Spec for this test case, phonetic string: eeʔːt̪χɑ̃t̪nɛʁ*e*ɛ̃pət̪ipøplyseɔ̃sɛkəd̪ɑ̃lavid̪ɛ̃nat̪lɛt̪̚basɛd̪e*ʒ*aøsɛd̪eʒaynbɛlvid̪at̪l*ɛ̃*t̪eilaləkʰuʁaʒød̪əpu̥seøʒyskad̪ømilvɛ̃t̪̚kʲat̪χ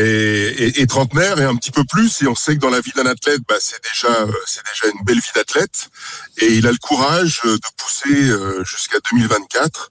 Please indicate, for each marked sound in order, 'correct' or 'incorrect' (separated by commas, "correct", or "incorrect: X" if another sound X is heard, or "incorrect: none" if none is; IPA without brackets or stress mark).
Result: correct, correct, incorrect: ɛ